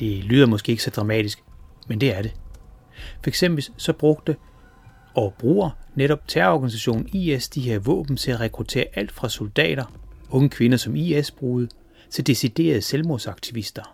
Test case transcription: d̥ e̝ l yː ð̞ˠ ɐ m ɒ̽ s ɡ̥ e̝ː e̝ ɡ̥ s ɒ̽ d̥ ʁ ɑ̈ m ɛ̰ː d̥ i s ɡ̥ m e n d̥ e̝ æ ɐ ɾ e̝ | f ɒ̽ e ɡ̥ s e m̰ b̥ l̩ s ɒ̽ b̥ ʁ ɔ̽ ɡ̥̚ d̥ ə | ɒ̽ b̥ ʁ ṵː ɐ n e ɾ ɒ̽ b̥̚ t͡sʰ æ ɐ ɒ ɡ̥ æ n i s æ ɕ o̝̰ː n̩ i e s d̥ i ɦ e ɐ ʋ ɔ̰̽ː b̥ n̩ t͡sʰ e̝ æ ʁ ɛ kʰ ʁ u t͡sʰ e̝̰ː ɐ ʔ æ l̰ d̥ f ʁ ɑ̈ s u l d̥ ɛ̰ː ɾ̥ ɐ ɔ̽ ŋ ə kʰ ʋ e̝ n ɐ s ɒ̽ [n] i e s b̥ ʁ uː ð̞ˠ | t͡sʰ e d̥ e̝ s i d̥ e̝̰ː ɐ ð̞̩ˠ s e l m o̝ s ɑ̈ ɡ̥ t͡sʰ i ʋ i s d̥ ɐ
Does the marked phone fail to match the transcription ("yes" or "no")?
yes